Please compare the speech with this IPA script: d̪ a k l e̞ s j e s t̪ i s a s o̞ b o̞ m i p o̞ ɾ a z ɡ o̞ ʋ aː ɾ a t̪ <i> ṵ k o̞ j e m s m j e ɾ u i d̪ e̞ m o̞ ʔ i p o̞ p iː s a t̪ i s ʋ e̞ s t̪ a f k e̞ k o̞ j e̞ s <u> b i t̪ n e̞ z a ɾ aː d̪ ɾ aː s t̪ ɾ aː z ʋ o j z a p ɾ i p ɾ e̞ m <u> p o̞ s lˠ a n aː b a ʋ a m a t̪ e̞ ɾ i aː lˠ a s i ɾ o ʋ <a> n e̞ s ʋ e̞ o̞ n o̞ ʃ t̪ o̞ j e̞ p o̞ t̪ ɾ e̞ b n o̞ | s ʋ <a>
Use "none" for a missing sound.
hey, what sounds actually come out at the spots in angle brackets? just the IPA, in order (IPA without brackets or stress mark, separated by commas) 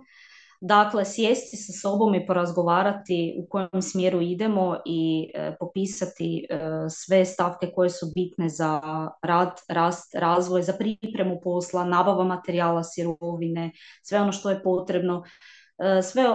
i, u, u, i, e